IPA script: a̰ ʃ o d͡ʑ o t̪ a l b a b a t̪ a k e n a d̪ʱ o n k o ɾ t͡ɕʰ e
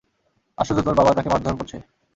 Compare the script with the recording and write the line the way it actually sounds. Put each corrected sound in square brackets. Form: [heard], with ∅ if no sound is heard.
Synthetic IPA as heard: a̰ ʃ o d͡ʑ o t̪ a [ɾ] b a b a t̪ a k e [m] a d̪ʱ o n k o ɾ t͡ɕʰ e

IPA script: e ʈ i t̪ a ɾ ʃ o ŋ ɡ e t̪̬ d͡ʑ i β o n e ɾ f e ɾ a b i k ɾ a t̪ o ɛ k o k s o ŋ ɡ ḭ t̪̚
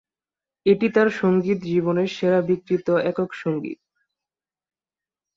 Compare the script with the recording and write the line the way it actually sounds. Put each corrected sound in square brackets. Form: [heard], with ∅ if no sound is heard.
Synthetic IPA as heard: e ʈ i t̪ a ɾ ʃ o ŋ ɡ [i] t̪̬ d͡ʑ i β o n e ɾ [ʃ] e ɾ a b i k ɾ [i] t̪ o ɛ k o k [ʃ] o ŋ ɡ ḭ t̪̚

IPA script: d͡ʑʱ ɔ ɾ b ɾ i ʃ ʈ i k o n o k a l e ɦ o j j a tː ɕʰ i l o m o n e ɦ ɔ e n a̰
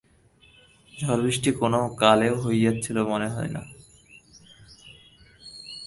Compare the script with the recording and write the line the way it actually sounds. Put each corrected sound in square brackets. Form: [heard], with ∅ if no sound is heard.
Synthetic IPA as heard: d͡ʑʱ ɔ ɾ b ɾ i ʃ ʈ i k o n o k a l e ɦ o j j a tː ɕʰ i l o m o n e ɦ ɔ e n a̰

